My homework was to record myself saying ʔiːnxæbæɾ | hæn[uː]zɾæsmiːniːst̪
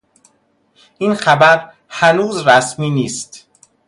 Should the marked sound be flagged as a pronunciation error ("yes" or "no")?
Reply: no